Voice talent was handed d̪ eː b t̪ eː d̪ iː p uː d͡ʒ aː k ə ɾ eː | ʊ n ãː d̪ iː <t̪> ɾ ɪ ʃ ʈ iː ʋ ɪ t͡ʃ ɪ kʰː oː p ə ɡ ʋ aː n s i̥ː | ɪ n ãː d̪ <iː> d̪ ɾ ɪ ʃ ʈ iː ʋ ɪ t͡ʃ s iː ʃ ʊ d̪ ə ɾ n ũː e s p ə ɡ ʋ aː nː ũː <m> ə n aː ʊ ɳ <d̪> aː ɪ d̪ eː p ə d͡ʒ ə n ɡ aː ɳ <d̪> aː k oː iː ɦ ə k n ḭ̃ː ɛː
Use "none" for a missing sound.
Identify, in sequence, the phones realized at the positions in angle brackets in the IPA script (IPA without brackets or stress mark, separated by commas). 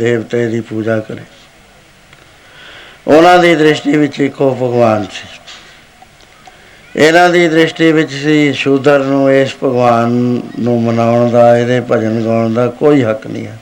d̪, iː, m, d̪, d̪